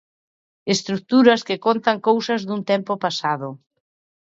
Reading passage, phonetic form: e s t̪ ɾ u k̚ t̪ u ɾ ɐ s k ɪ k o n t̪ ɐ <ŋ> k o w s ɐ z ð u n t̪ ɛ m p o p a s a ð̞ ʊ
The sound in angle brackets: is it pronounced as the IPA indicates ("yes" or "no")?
yes